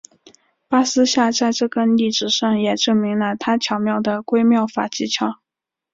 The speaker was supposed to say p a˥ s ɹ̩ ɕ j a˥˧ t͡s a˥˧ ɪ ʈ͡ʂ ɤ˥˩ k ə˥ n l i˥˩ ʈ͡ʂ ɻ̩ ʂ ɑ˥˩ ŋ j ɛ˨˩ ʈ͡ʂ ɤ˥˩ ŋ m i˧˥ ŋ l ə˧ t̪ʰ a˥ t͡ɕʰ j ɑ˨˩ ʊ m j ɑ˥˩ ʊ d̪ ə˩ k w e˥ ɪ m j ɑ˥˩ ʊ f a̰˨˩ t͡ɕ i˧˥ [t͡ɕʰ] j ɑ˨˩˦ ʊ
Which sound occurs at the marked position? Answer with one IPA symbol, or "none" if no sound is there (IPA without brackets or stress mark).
t͡ɕʰ